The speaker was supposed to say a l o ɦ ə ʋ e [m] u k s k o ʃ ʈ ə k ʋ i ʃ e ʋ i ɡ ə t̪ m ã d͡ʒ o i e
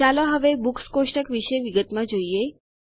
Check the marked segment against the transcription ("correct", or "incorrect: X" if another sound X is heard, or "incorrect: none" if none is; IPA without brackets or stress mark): incorrect: b